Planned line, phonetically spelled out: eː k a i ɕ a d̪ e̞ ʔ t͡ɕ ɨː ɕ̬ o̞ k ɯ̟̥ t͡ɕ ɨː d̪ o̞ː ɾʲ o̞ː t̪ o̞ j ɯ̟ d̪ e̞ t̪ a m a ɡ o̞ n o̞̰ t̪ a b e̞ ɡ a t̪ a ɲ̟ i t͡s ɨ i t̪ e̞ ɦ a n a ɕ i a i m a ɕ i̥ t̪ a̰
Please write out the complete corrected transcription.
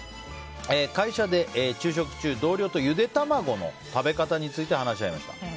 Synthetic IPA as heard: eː k a i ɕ a d̪ e̞ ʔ t͡ɕ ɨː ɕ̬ o̞ k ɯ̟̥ t͡ɕ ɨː d̪ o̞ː ɾʲ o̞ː t̪ o̞ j ɯ̟ d̪ e̞ t̪ a m a ɡ o̞ n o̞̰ t̪ a b e̞ k a t̪ a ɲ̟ i t͡s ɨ i t̪ e̞ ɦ a n a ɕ i a i m a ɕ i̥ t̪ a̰